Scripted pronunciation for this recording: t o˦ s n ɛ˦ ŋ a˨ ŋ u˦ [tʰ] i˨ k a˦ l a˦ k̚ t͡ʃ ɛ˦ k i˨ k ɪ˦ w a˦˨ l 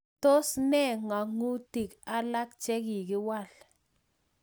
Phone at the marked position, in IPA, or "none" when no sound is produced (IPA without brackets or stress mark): t